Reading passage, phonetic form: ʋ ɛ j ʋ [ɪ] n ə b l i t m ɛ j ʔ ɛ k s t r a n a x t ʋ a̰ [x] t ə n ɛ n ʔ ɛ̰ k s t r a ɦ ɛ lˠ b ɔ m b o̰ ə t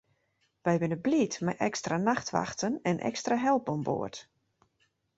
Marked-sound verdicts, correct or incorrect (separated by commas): correct, correct